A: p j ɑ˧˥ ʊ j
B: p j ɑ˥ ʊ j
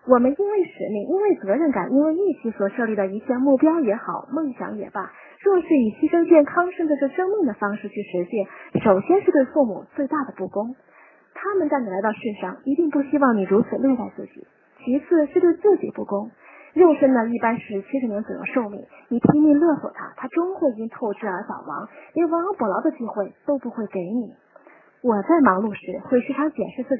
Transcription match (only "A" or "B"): B